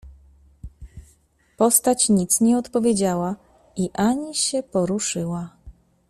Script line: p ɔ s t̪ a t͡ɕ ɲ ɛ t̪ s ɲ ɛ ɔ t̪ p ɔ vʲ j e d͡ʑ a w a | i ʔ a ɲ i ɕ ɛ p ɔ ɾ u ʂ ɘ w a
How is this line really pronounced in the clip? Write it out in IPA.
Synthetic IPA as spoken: p ɔ s t̪ a t͡ɕ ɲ i t̪ s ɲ ɛ ɔ t̪ p ɔ vʲ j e d͡ʑ a w a | i ʔ a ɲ i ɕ ɛ p ɔ ɾ u ʂ ɘ w a